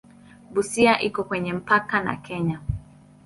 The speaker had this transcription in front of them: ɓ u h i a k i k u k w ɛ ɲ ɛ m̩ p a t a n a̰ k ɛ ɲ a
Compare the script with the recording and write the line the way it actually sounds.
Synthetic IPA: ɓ u s i a ʔ i k ɔ k w ɛ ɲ ɛ m̩ p a k a n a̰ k ɛ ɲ a